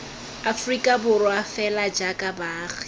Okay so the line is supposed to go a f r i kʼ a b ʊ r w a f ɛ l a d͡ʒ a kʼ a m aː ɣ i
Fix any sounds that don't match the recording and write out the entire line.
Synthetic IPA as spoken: a f r i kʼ a b ʊ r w a f ɛ l a d͡ʒ a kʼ a b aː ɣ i